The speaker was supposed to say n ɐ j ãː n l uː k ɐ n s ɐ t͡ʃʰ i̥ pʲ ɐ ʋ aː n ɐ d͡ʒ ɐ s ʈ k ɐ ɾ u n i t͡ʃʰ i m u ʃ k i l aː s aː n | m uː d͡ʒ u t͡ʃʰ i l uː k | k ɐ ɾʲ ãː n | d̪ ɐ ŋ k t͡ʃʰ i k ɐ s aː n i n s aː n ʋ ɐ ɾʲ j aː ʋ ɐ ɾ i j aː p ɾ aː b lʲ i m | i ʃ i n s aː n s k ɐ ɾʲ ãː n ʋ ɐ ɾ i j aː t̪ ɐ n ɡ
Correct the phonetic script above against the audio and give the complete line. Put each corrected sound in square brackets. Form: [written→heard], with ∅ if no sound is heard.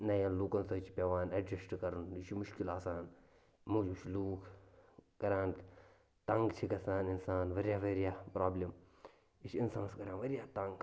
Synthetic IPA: n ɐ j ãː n l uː k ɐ n s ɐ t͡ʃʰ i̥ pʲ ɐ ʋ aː n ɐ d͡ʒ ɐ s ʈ k ɐ ɾ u n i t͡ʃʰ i m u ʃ k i l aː s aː n | m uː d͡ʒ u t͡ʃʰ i l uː k | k ɐ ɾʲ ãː n | [d̪→t̪] ɐ ŋ [k→ɡ] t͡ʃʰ i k ɐ s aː n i n s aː n ʋ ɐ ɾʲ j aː ʋ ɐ ɾ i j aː p ɾ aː b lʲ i m | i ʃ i n s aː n s k ɐ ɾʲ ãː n ʋ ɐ ɾ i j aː t̪ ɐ [n→ŋ] ɡ

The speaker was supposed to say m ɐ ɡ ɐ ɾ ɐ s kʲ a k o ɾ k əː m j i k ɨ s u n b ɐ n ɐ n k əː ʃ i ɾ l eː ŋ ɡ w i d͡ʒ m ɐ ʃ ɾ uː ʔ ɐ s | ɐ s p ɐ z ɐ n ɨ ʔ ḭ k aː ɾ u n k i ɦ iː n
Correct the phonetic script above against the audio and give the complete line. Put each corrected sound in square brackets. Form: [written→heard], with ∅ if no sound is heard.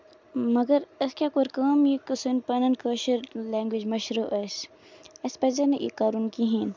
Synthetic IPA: m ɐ ɡ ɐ ɾ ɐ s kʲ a k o ɾ k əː m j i k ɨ s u n [b→p] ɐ n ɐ n k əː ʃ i ɾ l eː ŋ ɡ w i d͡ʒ m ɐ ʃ ɾ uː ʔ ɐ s | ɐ s p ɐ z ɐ n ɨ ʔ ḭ k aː ɾ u n k i ɦ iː n

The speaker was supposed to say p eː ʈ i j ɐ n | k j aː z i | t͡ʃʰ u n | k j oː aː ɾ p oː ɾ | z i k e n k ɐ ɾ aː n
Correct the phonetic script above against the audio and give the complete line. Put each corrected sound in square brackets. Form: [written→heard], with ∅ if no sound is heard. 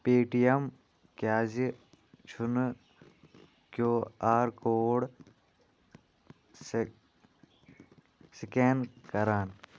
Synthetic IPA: p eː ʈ i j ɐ [n→m] | k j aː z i | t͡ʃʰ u n | k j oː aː ɾ [p→k] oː [ɾ→ɽ] | [z→s] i k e n k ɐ ɾ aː n

